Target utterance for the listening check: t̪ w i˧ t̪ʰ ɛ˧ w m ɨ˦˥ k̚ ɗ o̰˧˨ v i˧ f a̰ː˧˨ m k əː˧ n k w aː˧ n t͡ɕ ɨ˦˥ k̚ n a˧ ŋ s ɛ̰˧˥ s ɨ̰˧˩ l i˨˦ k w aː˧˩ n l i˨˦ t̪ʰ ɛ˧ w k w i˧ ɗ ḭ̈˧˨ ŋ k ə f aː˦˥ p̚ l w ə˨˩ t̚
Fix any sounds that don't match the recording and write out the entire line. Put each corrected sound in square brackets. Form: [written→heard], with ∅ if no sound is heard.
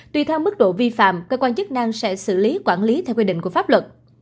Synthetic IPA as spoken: t̪ w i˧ t̪ʰ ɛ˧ w m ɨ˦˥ k̚ ɗ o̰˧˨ v i˧ f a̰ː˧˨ m k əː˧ [n→∅] k w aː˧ n t͡ɕ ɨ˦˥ k̚ n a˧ ŋ s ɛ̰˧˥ s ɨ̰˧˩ l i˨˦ k w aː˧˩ n l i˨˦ t̪ʰ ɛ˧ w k w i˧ ɗ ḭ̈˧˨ ŋ k ə f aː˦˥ p̚ l w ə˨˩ t̚